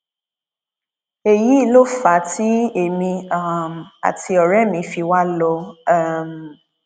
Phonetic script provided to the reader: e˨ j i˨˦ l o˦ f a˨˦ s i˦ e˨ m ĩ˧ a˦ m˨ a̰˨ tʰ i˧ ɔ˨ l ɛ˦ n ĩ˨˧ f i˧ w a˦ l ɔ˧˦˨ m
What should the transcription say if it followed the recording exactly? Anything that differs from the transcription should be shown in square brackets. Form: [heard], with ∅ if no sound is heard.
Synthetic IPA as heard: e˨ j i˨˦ l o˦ f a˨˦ [t] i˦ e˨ m ĩ˧ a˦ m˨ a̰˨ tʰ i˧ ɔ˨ [ɾ] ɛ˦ [m] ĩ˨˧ f i˧ w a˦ l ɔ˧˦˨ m